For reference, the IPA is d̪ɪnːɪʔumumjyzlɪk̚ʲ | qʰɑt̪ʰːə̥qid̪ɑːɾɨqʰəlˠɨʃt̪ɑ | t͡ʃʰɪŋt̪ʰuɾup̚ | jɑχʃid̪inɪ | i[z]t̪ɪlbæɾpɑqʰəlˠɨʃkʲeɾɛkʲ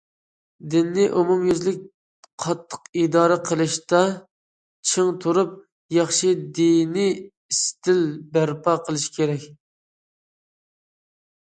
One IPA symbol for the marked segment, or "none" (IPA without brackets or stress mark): s